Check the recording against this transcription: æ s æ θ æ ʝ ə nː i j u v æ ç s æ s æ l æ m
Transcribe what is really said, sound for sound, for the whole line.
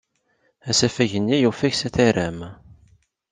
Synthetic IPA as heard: æ s æ f æ ʝ ə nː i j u f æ ç s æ θ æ ɾ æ m